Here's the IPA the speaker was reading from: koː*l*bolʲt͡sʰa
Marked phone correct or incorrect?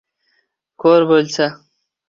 incorrect